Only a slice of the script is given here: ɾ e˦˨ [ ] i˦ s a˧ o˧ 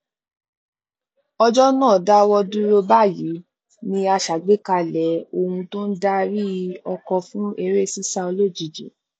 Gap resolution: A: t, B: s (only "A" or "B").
B